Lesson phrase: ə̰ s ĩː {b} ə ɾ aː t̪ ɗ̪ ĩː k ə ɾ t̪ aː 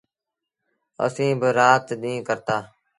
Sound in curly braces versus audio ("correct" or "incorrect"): correct